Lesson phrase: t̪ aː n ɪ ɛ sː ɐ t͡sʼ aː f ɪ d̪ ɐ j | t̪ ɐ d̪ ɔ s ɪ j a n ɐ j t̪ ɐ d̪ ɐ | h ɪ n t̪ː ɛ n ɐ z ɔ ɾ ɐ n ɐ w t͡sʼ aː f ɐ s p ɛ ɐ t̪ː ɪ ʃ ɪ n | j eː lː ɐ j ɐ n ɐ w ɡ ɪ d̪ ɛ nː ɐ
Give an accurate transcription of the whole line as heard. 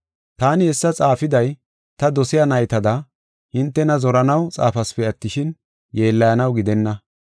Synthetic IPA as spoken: t̪ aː n ɪ ɛ sː ɐ t͡sʼ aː f ɪ d̪ ɐ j | t̪ ɐ d̪ ɔ s ɪ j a n ɐ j t̪ ɐ d̪ ɐ | h ɪ n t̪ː ɛ n ɐ z ɔ ɾ ɐ n ɐ w t͡sʼ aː f ɐ s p ɛ ɐ t̪ː ɪ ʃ ɪ n | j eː lː ɐ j ɐ n ɐ w ɡ ɪ d̪ ɛ nː ɐ